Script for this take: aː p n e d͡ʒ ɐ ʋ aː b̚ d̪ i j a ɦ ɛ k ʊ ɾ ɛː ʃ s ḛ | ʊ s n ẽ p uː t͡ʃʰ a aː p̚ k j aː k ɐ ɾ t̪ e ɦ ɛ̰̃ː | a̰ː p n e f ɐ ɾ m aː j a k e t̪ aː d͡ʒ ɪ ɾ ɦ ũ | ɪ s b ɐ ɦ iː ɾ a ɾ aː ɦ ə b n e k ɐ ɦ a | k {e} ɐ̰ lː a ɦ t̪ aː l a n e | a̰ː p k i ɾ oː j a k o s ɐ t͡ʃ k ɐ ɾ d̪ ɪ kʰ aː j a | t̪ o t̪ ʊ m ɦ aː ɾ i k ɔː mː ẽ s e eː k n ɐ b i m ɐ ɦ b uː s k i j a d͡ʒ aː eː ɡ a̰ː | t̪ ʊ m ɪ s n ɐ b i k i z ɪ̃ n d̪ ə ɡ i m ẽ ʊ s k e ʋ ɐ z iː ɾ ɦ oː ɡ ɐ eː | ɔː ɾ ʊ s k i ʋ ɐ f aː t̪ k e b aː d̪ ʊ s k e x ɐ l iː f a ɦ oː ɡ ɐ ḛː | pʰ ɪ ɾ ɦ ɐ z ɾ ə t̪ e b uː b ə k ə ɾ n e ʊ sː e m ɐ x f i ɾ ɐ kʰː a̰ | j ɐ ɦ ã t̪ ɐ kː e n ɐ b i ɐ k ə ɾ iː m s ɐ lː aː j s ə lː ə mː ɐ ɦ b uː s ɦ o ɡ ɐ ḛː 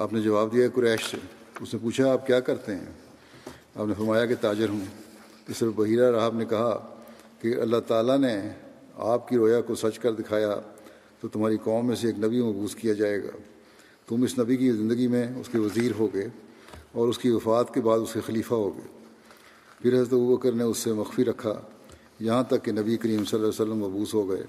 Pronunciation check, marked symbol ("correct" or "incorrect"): correct